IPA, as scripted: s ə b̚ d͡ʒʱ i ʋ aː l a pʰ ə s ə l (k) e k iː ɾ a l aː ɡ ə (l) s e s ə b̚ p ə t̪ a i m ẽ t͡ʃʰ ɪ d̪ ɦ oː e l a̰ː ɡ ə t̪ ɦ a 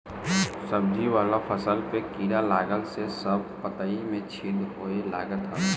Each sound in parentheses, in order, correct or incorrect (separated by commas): incorrect, correct